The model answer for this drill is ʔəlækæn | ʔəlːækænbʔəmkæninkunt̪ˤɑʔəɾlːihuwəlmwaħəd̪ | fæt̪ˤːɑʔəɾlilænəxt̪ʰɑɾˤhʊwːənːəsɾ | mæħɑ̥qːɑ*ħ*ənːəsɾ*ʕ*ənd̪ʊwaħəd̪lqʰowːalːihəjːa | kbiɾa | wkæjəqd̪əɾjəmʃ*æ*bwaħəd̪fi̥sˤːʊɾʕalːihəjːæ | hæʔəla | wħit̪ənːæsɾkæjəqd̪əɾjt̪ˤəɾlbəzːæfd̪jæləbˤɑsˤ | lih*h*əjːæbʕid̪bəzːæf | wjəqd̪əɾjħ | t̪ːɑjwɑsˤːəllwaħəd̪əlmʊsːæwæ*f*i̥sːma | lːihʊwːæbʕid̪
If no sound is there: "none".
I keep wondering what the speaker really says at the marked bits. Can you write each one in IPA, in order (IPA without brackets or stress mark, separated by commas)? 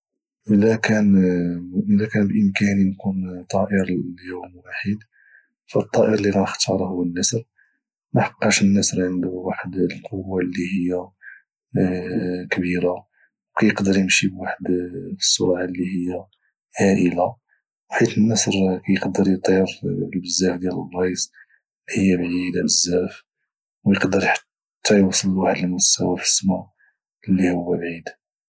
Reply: ʃ, ʕ, i, h, f